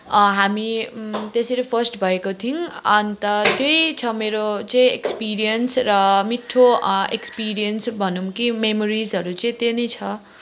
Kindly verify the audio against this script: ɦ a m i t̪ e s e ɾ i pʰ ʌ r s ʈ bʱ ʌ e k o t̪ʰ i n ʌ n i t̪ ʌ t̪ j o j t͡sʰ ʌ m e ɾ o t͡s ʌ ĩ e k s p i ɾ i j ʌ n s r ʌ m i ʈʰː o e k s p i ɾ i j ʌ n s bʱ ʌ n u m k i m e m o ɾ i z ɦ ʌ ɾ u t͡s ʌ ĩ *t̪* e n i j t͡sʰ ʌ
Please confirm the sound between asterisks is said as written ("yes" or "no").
yes